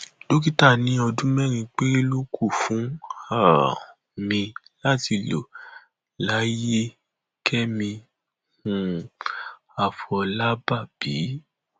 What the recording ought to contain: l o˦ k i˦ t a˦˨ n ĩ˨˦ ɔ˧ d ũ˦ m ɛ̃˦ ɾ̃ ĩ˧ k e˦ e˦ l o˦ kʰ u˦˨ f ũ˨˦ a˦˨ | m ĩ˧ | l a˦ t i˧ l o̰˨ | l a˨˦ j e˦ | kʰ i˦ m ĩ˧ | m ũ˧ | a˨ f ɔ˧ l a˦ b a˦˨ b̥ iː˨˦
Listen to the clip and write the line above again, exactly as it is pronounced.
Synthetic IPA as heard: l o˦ k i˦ t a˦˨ n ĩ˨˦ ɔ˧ d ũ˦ m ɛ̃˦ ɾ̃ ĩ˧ k͡p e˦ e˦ l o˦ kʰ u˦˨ f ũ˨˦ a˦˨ | m ĩ˧ | l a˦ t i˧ l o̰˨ | l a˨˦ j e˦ | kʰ ɛ˦ m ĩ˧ | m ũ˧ | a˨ f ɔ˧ l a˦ b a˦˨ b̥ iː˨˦